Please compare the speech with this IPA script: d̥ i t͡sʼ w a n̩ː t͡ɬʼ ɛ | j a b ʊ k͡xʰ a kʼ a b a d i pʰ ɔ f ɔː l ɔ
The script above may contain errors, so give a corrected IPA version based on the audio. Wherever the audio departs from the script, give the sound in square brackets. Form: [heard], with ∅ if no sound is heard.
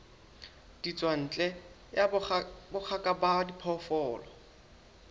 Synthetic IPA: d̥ i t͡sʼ w a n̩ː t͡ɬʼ ɛ | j a b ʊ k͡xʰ a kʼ a b a d i pʰ ɔ f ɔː l ɔ